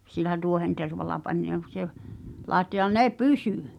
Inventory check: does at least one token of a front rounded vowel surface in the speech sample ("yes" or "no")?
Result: yes